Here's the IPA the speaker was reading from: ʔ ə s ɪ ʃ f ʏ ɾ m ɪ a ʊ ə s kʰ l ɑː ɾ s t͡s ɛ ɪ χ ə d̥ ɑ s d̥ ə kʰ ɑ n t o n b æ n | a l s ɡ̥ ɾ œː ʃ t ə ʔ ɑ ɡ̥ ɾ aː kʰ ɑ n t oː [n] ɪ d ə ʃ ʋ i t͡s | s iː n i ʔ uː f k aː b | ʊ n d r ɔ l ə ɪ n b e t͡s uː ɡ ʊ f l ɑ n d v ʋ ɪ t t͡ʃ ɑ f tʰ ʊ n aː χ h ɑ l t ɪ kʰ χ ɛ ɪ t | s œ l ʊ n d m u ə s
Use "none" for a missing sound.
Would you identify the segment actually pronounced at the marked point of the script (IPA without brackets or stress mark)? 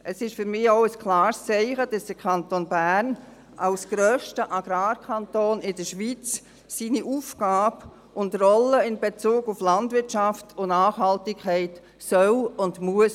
n